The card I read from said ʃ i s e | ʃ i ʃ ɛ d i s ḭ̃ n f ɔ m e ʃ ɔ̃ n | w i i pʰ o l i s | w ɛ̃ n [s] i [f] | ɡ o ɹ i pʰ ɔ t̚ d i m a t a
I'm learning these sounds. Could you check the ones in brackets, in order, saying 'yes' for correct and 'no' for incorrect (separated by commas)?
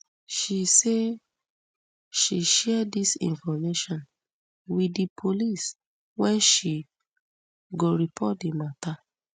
no, no